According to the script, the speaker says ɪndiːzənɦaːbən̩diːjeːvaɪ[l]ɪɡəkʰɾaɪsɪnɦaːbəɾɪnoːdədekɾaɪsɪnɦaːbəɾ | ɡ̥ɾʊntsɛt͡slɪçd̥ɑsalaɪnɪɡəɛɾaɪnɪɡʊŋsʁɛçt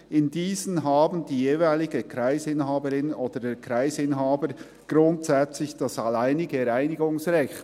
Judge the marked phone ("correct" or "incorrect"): correct